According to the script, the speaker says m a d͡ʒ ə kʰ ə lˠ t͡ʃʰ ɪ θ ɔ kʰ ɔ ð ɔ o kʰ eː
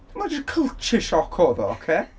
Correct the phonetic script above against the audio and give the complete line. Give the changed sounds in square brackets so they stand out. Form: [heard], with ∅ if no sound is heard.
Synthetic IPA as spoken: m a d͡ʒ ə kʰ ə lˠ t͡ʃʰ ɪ [ʃ] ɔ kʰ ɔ ð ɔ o kʰ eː

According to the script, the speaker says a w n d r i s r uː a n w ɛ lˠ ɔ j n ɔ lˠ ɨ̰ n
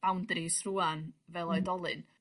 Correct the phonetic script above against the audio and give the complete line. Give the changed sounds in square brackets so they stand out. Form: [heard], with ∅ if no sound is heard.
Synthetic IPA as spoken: a w n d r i s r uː a n [v] ɛ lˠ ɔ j [d] ɔ lˠ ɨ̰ n

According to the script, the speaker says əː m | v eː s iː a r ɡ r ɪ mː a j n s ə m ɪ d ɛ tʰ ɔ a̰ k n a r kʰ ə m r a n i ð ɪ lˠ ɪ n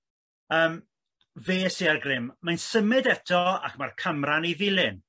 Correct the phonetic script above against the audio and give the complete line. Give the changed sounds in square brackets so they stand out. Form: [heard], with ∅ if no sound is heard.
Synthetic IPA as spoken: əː m | v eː s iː a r ɡ r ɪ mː a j n s ə m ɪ d ɛ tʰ ɔ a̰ k [m] a r kʰ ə m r a n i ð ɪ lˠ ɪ n

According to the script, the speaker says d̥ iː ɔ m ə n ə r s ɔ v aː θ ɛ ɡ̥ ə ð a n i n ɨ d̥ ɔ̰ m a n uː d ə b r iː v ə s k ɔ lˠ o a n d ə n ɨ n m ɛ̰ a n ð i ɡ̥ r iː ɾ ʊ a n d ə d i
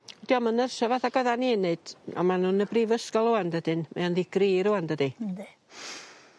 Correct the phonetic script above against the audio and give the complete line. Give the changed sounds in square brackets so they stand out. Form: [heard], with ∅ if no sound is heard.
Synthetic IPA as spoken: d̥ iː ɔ m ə n ə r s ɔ v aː θ [a] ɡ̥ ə ð a n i n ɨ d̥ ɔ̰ m a n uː [n] ə b r iː v ə s k ɔ lˠ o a n d ə [d] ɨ n m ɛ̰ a n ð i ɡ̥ r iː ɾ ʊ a n d ə d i

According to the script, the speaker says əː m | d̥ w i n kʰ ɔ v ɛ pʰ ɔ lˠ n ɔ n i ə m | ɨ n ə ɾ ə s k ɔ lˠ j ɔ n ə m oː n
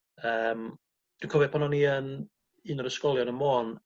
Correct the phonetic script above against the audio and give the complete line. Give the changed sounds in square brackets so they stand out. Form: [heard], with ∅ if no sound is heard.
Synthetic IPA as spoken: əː m | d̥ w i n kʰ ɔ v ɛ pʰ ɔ [∅] n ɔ n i ə [n] | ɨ n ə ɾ ə s k ɔ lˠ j ɔ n ə m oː n

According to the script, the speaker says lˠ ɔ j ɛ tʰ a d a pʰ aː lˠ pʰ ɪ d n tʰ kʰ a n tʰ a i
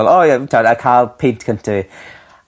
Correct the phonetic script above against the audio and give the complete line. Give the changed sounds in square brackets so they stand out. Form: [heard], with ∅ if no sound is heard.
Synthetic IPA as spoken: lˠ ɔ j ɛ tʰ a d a [kʰ] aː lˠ pʰ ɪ [∅] n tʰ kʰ [ə] n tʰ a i

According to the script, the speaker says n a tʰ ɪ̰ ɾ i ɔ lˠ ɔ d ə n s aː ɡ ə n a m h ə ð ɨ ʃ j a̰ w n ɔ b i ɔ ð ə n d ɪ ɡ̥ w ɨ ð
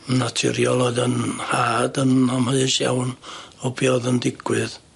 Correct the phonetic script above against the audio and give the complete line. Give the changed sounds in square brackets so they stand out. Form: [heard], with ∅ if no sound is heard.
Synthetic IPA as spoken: n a tʰ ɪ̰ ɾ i ɔ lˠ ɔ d ə n [h] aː [d] ə n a m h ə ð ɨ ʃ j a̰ w n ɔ b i ɔ ð ə n d ɪ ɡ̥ w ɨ ð

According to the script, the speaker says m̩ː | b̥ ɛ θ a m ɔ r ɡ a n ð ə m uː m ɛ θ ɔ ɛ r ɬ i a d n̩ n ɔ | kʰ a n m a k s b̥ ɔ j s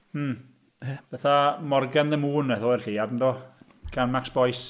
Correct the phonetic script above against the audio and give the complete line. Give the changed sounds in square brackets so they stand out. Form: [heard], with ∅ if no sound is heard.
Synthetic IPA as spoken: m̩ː | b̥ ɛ θ a m ɔ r ɡ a n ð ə m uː [n] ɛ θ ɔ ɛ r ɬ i a d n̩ [d] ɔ | kʰ a n m a k s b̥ ɔ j s

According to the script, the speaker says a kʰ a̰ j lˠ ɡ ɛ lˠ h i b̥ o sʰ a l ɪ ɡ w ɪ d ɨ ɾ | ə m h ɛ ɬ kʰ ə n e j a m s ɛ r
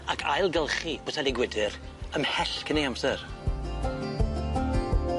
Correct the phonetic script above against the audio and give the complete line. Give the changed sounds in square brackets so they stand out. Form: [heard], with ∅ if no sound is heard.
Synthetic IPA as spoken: a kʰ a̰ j lˠ ɡ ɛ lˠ [χ] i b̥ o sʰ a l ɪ ɡ w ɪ d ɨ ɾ | ə m h ɛ ɬ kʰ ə n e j a m s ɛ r

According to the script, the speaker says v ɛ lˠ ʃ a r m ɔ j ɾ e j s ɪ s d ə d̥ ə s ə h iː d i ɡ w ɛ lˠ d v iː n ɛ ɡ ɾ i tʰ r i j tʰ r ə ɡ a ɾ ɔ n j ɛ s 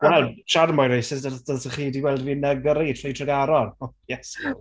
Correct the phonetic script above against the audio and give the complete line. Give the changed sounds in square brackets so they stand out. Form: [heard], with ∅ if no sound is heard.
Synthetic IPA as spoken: [w] ɛ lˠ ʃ a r m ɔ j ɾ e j s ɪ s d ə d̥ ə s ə [χ] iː d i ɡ w ɛ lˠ d v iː n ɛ ɡ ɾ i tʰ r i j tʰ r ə ɡ a ɾ ɔ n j ɛ s

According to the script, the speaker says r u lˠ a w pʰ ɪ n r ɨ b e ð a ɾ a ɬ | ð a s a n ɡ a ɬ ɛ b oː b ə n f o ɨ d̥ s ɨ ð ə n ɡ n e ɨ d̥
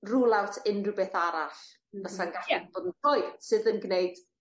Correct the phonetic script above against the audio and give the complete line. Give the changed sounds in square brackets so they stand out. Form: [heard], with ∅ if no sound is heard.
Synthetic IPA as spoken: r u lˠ a w [tʰ] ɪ n r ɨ b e [θ] a ɾ a ɬ | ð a s a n ɡ a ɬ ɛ b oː [d] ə n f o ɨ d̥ s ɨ ð ə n ɡ n e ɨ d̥

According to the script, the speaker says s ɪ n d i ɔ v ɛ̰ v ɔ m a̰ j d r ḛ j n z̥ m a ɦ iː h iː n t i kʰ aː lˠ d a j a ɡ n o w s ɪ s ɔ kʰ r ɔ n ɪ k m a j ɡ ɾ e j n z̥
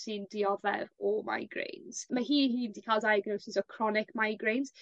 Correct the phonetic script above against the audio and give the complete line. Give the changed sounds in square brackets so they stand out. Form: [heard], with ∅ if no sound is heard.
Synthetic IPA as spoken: s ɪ n d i ɔ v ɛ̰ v ɔ m a̰ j [ɡ] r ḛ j n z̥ m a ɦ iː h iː n [d] i kʰ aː lˠ d a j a ɡ n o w s ɪ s ɔ kʰ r ɔ n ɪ k m a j ɡ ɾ e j n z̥

